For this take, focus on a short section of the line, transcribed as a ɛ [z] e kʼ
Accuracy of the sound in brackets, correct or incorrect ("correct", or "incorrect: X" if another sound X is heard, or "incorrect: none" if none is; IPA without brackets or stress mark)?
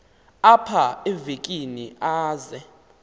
incorrect: v